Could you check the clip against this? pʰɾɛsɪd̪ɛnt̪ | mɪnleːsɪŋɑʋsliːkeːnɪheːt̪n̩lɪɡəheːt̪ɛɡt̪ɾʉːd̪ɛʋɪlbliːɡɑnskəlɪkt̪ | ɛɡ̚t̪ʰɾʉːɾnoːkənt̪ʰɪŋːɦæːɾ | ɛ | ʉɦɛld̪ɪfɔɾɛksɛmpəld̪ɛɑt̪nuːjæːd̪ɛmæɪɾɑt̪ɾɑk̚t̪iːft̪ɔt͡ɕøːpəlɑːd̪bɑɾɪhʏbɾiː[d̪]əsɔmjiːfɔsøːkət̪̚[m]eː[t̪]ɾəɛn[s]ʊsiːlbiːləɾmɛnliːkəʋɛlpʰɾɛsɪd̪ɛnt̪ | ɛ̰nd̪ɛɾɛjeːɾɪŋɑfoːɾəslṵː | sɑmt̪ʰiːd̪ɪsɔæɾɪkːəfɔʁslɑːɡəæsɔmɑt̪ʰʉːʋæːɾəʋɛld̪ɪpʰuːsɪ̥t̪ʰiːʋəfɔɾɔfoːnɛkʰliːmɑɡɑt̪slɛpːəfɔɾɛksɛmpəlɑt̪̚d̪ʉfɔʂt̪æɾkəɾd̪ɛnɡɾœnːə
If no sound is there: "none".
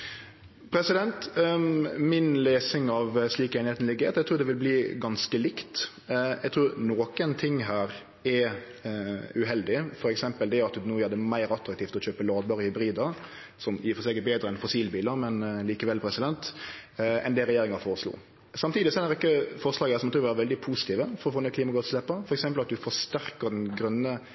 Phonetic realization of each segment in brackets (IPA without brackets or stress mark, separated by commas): d̪, b, d̪, f